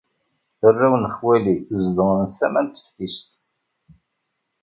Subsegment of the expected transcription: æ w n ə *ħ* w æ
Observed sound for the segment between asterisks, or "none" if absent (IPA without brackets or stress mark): χ